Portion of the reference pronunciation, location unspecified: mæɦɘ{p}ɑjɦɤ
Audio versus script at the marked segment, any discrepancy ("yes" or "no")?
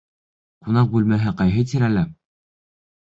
yes